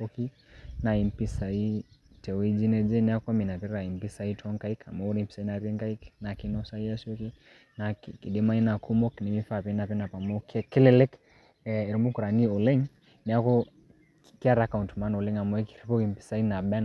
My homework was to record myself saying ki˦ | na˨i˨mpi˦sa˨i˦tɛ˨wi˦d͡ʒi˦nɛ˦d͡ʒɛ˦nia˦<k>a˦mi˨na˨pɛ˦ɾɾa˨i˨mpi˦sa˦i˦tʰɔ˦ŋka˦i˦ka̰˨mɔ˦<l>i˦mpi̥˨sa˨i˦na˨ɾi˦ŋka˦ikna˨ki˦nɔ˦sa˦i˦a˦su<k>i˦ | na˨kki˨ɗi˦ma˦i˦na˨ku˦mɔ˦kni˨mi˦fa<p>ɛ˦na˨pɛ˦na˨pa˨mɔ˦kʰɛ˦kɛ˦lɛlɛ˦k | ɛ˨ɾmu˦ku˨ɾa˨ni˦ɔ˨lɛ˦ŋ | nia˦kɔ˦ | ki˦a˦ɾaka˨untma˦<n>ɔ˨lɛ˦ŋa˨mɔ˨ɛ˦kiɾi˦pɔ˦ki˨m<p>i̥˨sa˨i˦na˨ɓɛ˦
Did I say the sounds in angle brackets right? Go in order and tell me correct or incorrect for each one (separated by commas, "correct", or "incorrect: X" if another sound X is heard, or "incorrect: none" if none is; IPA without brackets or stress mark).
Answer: correct, incorrect: ɾ, correct, correct, correct, correct